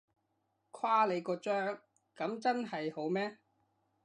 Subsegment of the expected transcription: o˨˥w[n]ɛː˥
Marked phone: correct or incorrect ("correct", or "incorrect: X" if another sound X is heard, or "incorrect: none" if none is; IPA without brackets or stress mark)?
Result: incorrect: m